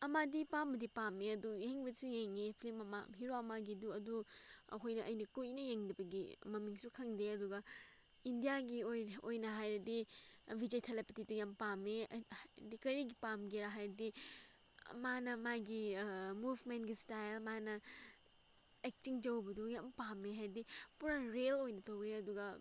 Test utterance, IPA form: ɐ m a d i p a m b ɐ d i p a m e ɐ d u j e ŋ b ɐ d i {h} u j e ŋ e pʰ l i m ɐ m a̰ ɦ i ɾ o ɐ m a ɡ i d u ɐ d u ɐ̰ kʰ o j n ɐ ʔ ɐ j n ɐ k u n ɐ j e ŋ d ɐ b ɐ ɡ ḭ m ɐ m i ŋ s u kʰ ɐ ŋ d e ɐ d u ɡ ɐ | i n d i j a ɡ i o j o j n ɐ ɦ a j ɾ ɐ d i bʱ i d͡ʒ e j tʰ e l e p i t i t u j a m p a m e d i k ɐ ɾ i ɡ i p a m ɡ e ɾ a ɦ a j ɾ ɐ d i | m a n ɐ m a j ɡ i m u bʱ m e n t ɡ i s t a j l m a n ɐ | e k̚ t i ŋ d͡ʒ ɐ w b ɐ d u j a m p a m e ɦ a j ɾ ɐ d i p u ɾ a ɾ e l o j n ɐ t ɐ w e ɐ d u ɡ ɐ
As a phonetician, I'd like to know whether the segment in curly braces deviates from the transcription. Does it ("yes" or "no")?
yes